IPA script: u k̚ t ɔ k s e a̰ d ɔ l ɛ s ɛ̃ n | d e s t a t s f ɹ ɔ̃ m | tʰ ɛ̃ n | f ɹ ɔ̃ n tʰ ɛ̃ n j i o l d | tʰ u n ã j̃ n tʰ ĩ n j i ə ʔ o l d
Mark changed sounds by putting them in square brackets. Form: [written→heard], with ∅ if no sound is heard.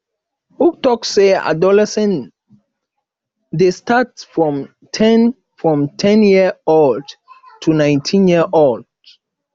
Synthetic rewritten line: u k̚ t ɔ k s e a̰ d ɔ l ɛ s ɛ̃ n | d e s t a t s f ɹ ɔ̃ m | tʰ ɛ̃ n | f ɹ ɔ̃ [n→m] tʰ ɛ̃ n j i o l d | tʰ u n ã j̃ n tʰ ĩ n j i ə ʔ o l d